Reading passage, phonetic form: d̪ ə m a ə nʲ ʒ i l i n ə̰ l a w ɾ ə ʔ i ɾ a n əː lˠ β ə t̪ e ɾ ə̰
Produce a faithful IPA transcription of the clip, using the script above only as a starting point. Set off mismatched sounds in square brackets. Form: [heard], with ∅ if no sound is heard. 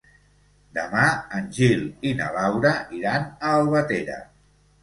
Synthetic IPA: d̪ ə m a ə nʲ ʒ i l i n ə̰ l a w ɾ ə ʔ i ɾ a n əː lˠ β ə t̪ e ɾ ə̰

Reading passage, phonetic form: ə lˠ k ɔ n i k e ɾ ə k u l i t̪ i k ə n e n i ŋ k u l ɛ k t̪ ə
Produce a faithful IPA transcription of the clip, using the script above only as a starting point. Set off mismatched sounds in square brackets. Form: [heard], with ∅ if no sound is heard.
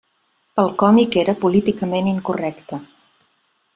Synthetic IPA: ə lˠ k ɔ [m] i k e ɾ ə [p] u l i t̪ i k ə [m] e n i ŋ k u [r] ɛ k t̪ ə

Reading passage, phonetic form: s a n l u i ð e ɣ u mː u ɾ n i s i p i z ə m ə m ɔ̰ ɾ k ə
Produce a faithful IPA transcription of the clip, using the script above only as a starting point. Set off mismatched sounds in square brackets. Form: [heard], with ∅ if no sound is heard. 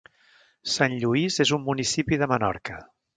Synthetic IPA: s a n [ʎ] u i [z] e [z] u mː u [∅] n i s i p i [ð] ə m ə [n] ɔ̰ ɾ k ə

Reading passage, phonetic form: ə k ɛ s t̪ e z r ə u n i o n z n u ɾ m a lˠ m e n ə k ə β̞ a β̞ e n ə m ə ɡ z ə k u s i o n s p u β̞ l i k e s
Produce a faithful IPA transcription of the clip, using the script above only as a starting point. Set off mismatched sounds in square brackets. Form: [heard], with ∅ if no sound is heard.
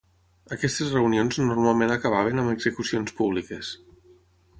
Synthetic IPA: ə k ɛ s t̪ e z r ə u n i o n z n u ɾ m a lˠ m e n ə k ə β̞ a β̞ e n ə m ə ɡ z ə k u s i o n s p u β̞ l i k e s

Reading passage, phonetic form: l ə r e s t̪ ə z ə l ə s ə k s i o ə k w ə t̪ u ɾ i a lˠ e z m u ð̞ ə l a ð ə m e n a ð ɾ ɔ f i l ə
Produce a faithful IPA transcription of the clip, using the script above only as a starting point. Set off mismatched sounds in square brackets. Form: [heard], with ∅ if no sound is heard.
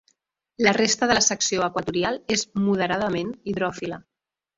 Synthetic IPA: l ə r e s t̪ ə [ð] ə l ə s ə k s i o ə k w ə t̪ u ɾ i a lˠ e z m u ð̞ ə [ɾ] a ð ə m e n [i] ð ɾ ɔ f i l ə

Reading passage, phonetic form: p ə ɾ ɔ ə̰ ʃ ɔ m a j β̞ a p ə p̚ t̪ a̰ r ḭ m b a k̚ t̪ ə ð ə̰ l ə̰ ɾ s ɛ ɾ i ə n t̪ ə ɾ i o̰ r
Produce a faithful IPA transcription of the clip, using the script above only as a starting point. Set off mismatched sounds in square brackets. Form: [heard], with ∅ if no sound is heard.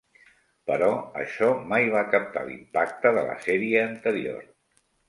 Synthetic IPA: p ə ɾ ɔ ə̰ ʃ ɔ m a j β̞ a [k] ə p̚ t̪ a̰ [l] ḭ m [p] a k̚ t̪ ə ð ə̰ l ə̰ [∅] s ɛ ɾ i [əː] n t̪ ə ɾ i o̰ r

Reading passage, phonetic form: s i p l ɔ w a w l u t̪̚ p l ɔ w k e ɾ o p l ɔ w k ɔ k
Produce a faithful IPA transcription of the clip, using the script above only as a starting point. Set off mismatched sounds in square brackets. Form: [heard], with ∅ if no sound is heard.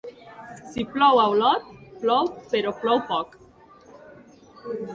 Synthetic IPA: s i p l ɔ w a w l [ɔ] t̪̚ p l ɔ w [p] e ɾ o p l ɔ w [p] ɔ k

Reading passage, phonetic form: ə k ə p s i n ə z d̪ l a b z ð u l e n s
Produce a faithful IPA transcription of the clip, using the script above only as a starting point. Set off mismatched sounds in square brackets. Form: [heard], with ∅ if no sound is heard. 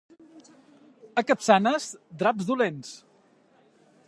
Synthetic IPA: ə k ə p s [a] n ə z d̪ [ɾ] a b z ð u l e n s

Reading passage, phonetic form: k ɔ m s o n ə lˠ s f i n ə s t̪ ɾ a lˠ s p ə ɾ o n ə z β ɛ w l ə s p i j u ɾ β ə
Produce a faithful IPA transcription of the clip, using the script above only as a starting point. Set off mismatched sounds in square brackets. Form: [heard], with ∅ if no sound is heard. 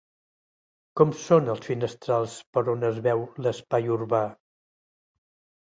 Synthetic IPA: k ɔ m s o n ə lˠ s f i n ə s t̪ ɾ a lˠ s p ə ɾ o n ə z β ɛ w l ə s p [a] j u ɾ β [a]

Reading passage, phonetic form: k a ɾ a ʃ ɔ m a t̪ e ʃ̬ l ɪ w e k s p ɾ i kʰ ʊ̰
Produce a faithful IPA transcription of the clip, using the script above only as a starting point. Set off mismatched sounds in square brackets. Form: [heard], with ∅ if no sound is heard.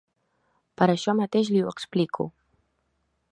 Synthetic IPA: [p] a ɾ a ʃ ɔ m a t̪ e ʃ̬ l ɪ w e k s p [l] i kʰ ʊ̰

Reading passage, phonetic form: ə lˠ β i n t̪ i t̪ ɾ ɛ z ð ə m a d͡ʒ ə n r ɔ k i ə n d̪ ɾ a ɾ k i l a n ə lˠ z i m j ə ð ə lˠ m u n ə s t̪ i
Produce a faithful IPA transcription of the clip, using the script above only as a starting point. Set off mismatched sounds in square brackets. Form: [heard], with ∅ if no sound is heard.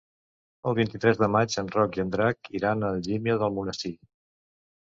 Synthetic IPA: ə lˠ β i n t̪ i t̪ ɾ ɛ z ð ə m a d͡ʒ ə n r ɔ k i ə n d̪ ɾ a [∅] k i [ɾ] a n ə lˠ [ʒ] i m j ə ð ə lˠ m u n ə s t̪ i

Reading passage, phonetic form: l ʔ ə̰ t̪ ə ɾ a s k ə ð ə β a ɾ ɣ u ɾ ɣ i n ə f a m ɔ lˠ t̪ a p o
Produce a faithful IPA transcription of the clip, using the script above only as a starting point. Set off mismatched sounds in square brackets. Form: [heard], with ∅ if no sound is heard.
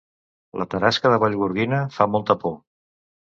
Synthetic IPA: l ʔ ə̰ t̪ ə ɾ a s k ə ð ə β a [ʎ] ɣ u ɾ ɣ i n ə f a m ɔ lˠ t̪ [ə] p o

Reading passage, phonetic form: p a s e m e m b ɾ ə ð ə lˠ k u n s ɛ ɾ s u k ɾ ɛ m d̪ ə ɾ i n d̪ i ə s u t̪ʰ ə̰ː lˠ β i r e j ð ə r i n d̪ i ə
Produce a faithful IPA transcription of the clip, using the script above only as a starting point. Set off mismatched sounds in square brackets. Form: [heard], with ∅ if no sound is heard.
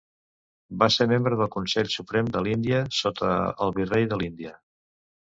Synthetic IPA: [b] a s e m e m b ɾ ə ð ə lˠ k u n s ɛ [ʎ] s u [p] ɾ ɛ m d̪ ə [l] i n d̪ i ə s [o] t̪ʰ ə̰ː lˠ β i r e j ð ə [l] i n d̪ i ə

